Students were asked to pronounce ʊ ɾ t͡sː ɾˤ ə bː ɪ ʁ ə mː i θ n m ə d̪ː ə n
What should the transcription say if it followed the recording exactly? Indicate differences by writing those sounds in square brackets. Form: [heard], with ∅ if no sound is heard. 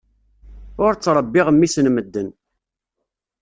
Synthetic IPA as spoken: ʊ ɾ t͡sː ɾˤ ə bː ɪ ʁ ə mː i [s] n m ə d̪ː ə n